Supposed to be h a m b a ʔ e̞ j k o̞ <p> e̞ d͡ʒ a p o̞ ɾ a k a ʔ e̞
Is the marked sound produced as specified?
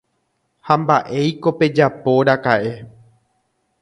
yes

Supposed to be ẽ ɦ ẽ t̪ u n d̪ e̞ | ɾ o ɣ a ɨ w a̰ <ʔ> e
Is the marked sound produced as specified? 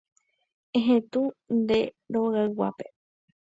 no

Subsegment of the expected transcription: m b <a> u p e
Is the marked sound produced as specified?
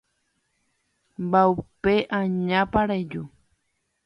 yes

